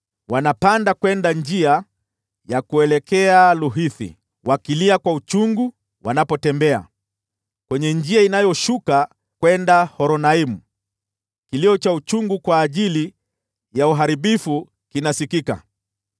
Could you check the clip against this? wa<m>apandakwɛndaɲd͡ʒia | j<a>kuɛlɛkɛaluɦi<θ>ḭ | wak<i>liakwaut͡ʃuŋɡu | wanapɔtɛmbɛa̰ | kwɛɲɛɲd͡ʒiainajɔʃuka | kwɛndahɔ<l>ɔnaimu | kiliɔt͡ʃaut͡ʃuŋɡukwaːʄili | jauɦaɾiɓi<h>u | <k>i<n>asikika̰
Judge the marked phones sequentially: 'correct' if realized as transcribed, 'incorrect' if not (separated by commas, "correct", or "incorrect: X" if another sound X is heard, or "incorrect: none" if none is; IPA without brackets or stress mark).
incorrect: n, correct, correct, correct, incorrect: ɾ, incorrect: f, correct, correct